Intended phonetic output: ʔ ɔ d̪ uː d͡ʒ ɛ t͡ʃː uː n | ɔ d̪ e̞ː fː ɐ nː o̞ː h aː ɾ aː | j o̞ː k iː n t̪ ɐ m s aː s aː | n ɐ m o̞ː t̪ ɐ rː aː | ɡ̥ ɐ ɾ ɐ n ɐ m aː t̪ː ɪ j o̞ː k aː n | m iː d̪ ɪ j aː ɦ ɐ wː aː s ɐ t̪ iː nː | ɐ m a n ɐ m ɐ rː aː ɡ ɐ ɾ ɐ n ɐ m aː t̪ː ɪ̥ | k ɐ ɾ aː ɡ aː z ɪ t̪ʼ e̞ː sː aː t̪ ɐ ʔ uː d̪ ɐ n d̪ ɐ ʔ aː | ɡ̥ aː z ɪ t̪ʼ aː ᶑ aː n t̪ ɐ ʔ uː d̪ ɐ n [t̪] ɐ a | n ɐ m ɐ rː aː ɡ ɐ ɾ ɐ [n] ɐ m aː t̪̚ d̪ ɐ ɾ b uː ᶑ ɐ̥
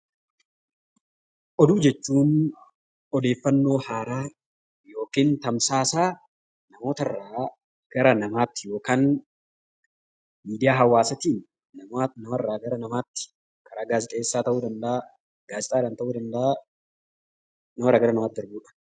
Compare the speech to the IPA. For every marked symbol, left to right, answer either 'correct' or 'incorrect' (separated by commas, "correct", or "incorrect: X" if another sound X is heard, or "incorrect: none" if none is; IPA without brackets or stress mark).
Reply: incorrect: d̪, correct